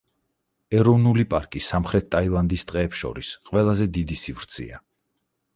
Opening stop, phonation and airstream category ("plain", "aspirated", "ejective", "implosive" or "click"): ejective